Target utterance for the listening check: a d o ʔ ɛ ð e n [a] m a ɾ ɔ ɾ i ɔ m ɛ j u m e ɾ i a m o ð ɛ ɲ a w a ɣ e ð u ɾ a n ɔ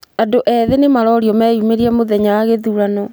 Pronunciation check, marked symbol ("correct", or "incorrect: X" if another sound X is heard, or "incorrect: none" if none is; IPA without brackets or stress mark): incorrect: e